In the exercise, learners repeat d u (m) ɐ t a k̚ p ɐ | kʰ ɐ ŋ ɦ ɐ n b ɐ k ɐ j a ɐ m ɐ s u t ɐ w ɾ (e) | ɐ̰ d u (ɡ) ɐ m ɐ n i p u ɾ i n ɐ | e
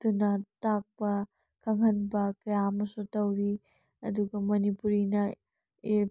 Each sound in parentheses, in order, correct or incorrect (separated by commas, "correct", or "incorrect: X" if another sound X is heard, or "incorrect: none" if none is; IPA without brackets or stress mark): incorrect: n, incorrect: i, correct